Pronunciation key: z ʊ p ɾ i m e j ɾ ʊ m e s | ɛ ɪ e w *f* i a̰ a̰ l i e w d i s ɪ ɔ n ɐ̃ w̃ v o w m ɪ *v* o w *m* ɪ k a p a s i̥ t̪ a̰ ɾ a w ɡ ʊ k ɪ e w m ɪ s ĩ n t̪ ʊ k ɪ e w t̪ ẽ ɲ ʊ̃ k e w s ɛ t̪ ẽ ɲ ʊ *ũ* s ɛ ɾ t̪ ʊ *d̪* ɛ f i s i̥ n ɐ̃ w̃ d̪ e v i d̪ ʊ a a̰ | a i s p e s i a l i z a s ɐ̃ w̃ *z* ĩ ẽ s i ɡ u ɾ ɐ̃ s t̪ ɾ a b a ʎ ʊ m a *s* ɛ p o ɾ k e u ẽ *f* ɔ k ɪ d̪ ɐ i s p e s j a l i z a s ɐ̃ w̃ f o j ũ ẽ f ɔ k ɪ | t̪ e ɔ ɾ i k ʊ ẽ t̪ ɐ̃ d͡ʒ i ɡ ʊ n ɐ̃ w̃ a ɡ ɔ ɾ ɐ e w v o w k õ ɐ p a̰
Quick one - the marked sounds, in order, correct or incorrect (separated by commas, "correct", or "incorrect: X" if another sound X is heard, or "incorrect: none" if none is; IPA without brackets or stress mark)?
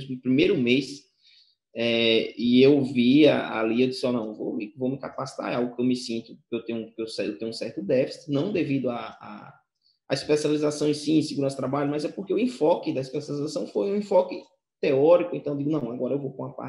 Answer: incorrect: v, correct, correct, correct, correct, incorrect: s, incorrect: z, correct